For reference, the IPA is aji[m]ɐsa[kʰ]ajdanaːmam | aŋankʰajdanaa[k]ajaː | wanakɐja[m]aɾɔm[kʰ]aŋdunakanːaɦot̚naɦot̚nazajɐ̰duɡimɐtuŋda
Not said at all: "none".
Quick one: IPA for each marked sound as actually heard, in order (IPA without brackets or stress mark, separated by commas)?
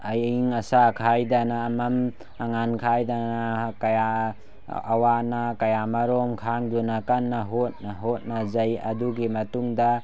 ŋ, kʰ, k, m, kʰ